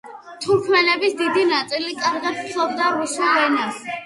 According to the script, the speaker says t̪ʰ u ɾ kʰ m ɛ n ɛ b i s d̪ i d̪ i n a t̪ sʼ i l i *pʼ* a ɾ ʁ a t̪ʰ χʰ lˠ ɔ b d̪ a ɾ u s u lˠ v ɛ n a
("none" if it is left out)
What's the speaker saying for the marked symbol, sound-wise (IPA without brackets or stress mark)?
kʼ